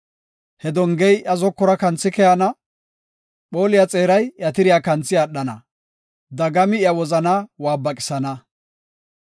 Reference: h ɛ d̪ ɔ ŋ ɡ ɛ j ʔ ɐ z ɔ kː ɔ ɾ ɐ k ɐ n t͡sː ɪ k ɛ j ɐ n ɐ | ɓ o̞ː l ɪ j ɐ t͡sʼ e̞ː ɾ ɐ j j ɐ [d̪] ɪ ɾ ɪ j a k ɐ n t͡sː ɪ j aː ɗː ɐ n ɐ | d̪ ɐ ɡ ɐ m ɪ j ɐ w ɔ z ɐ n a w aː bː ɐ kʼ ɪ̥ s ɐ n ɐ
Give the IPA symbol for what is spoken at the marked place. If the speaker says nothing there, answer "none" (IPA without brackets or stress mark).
t̪